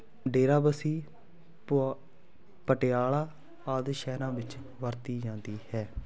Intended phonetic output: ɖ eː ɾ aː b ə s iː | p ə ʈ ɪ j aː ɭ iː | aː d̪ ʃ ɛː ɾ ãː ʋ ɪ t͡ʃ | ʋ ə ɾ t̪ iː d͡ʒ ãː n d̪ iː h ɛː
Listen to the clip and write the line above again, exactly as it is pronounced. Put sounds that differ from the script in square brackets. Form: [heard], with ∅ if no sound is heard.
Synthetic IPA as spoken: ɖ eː ɾ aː b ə s iː | p ə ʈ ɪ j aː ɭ [aː] | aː d̪ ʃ ɛː ɾ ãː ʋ ɪ t͡ʃ | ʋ ə ɾ t̪ iː d͡ʒ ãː n d̪ iː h ɛː